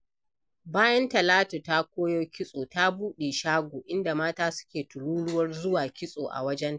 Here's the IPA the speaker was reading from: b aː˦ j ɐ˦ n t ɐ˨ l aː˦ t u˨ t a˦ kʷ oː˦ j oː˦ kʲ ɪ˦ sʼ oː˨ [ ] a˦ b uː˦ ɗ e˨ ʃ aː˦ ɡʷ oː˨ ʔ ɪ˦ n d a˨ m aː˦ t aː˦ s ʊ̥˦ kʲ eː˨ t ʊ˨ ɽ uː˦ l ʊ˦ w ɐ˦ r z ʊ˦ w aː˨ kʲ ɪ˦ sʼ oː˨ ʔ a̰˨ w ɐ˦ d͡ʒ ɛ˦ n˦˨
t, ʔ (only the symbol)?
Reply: t